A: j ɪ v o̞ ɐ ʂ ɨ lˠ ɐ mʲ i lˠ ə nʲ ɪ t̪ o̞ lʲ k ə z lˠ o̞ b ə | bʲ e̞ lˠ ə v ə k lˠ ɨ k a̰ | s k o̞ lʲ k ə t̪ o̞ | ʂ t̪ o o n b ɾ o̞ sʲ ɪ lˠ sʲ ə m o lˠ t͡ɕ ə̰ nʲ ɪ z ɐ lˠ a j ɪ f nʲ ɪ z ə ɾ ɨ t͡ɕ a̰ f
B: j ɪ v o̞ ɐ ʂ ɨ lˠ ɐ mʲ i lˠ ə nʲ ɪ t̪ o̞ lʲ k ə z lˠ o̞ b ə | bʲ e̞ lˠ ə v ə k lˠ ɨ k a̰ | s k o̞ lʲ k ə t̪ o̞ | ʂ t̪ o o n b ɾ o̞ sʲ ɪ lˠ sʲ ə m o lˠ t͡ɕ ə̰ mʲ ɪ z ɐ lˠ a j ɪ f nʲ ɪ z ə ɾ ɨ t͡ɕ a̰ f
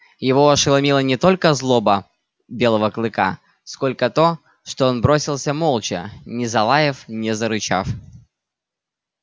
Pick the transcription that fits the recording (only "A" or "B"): A